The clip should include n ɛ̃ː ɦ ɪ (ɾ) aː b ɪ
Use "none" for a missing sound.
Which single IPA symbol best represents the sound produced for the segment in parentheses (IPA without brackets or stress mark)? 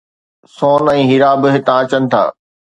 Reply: ɾ